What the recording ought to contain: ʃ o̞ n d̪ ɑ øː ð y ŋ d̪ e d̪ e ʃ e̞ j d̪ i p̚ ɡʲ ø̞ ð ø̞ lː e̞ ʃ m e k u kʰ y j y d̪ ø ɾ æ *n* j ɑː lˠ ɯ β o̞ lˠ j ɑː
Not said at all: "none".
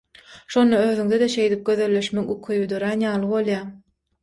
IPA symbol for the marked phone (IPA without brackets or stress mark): n